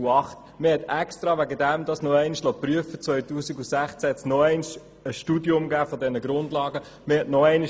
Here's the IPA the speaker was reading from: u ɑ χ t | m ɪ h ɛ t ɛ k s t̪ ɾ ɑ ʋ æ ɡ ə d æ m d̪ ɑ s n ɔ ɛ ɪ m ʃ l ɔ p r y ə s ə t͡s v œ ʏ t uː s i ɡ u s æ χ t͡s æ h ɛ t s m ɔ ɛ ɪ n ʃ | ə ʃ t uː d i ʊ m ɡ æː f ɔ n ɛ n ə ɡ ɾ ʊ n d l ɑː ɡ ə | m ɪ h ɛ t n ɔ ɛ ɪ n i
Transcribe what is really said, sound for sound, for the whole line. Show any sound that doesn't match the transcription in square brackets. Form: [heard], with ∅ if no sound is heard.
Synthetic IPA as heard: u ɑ χ t | m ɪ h ɛ t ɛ k s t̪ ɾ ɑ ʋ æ ɡ ə d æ m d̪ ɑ s n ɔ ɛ ɪ [n] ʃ l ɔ p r y ə [f] ə t͡s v œ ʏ t uː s i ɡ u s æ χ t͡s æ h ɛ t s [n] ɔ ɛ ɪ n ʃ | ə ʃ t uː d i ʊ m ɡ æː f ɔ [d] ɛ n ə ɡ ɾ ʊ n d l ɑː ɡ ə | m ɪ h ɛ t n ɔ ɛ ɪ n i